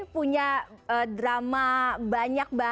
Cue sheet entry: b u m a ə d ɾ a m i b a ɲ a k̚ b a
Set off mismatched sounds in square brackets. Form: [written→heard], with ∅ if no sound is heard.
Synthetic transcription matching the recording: [b→p] u [m→ɲ] a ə d ɾ a m [i→a] b a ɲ a k̚ b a